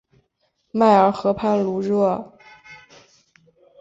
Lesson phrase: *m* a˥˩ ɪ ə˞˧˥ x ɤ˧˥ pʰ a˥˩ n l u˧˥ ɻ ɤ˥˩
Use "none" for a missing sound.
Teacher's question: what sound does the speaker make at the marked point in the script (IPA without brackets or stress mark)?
m